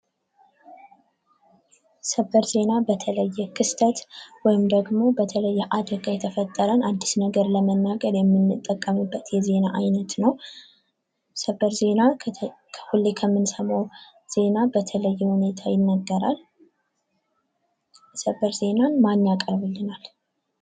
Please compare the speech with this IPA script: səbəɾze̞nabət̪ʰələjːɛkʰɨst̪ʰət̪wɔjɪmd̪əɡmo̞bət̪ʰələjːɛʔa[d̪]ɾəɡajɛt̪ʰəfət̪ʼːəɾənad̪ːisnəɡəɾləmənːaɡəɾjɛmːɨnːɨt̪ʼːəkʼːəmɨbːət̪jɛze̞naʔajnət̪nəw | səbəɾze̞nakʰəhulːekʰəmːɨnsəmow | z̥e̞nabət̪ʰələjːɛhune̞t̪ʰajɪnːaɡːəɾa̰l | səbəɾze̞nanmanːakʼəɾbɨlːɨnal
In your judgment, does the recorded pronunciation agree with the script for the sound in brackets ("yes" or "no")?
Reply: yes